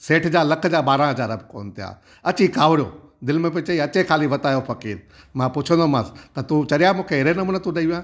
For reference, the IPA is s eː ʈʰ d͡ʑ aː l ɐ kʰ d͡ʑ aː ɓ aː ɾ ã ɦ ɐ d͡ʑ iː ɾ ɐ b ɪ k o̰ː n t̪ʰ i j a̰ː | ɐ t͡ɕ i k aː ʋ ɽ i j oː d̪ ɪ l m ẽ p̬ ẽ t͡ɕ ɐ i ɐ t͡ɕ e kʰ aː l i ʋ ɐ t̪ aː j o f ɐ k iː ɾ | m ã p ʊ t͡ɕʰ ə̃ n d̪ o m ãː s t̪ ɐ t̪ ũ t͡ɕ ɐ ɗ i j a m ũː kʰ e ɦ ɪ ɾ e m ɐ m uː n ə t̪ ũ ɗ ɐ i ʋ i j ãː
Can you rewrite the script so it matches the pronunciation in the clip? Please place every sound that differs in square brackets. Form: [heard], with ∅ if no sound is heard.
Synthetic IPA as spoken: s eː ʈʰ d͡ʑ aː l ɐ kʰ d͡ʑ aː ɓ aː ɾ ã ɦ ɐ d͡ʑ [aː] ɾ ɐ b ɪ k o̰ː n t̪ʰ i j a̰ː | ɐ t͡ɕ i k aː ʋ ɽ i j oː d̪ ɪ l m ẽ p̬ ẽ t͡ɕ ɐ i ɐ t͡ɕ e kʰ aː l i ʋ ɐ t̪ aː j o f ɐ k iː ɾ | m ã p ʊ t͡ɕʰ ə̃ n d̪ o m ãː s t̪ ɐ t̪ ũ t͡ɕ ɐ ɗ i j a m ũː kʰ e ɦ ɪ ɾ e [n] ɐ m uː n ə t̪ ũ ɗ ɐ i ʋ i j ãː